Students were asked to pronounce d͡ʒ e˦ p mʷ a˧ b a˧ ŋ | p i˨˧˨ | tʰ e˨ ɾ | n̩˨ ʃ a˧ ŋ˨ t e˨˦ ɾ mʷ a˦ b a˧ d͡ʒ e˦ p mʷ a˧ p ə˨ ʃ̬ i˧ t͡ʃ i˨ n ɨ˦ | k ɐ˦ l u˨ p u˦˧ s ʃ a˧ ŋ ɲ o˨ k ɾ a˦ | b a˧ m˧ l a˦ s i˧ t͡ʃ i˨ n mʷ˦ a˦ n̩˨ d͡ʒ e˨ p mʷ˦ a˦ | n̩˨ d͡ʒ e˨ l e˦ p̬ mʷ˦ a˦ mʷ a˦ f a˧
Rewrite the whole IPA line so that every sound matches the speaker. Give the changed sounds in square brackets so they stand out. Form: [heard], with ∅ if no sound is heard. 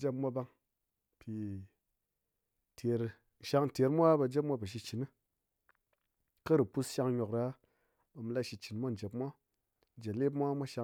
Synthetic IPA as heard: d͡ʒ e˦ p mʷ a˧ b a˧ ŋ | p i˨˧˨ | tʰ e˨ ɾ | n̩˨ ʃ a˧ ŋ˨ t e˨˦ ɾ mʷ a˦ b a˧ d͡ʒ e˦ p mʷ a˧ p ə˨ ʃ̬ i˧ t͡ʃ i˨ n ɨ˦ | k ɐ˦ [ɾ] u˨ p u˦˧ s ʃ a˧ ŋ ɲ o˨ k ɾ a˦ | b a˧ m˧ l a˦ [ʃ] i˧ t͡ʃ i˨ n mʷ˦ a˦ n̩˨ d͡ʒ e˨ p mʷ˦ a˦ | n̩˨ d͡ʒ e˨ l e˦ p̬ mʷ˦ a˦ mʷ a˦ [ʃ] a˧

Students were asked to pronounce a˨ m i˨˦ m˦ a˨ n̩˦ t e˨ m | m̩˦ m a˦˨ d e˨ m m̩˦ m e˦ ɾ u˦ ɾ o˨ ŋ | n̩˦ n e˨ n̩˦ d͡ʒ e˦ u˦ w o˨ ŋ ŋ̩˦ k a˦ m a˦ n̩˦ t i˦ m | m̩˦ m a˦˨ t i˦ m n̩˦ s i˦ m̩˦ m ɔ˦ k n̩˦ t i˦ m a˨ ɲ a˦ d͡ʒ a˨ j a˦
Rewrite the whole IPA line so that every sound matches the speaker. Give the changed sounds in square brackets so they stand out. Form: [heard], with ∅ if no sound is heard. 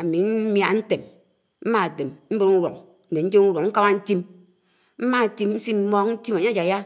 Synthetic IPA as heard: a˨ m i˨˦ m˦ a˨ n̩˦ t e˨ m | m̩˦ m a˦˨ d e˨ m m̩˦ [b] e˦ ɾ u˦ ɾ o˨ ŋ | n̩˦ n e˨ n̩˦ d͡ʒ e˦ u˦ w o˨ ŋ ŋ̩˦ k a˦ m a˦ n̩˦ t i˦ m | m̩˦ m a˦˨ t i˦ m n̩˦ s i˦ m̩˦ m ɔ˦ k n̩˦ t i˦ m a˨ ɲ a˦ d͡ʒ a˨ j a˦

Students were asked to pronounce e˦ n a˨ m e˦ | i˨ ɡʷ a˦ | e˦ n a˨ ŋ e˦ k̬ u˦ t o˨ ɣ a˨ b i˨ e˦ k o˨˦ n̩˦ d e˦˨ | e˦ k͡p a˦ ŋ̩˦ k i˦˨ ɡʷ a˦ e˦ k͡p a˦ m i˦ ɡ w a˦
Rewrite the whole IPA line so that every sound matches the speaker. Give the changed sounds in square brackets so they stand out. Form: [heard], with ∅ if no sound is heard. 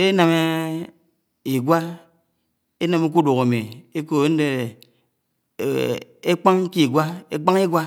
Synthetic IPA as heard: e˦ n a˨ m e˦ | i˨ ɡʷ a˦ | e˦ n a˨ [m] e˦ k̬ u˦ [d] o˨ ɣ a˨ [m] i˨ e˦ k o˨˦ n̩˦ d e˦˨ | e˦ k͡p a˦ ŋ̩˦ k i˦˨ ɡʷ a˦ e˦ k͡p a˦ [ŋ] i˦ ɡ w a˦

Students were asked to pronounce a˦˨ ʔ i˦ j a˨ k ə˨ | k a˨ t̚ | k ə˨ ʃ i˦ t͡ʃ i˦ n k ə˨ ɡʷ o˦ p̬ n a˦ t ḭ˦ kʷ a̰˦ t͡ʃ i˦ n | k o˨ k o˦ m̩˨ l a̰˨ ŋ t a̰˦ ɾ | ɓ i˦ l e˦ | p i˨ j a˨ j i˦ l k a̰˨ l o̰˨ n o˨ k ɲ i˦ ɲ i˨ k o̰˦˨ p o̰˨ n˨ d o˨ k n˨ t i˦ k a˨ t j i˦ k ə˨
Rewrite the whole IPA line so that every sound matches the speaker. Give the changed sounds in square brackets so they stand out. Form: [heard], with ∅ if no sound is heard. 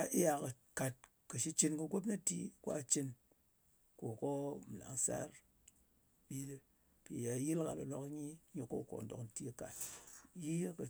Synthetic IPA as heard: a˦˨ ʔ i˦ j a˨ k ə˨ | k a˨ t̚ | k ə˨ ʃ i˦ t͡ʃ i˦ n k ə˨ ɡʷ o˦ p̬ n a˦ t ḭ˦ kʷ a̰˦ t͡ʃ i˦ n | k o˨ k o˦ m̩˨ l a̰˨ ŋ [s] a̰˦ ɾ | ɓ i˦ l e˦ | p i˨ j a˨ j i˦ l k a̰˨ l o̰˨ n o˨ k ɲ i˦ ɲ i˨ k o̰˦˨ [k] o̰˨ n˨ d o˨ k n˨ t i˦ k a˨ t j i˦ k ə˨

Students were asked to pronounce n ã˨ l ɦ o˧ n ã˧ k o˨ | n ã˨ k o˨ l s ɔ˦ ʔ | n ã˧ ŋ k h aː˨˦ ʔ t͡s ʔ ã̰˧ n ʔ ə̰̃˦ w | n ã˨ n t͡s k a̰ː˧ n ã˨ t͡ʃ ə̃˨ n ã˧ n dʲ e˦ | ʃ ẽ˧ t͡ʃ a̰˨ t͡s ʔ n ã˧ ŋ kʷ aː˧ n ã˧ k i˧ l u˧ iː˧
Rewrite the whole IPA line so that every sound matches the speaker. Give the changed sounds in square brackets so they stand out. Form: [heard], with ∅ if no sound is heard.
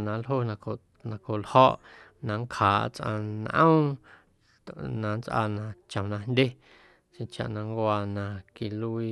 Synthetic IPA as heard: n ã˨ l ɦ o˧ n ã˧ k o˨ | n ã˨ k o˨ l [h] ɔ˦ ʔ | n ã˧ ŋ k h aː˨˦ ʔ t͡s ʔ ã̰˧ n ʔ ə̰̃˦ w | n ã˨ n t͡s [ʔ] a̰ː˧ n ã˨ t͡ʃ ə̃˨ n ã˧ n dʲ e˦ | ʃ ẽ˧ t͡ʃ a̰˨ [∅] ʔ n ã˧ ŋ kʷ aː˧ n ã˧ k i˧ l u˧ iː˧

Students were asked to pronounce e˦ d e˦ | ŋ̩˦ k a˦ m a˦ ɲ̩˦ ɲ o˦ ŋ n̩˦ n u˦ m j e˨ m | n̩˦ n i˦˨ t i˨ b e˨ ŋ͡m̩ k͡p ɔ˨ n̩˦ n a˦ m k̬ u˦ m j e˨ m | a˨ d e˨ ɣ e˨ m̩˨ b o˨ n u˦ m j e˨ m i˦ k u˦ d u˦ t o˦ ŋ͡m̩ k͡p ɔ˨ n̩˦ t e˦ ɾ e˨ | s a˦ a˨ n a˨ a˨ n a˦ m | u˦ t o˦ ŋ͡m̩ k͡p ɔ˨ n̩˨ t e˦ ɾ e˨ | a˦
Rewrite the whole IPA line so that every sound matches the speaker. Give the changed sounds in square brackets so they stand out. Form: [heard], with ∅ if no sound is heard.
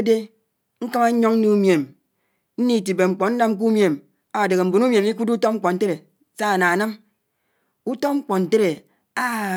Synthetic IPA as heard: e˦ d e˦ | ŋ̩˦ k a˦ m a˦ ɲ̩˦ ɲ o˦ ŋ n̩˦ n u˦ m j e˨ m | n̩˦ n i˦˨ t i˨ b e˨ ŋ͡m̩ k͡p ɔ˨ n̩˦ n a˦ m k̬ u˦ m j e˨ m | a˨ d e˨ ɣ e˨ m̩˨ b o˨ n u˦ m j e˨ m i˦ k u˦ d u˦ t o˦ ŋ͡m̩ k͡p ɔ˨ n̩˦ t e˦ ɾ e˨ | s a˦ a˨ n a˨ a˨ n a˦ m | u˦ t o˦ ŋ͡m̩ k͡p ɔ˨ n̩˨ t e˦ ɾ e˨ | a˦

